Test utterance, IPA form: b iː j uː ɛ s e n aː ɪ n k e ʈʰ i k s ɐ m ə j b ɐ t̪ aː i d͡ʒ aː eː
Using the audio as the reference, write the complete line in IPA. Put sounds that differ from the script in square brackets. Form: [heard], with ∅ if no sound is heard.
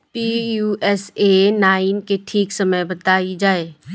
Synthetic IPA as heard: [p] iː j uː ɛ s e n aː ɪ n k e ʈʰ [iː] k s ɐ m ə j b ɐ t̪ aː i d͡ʒ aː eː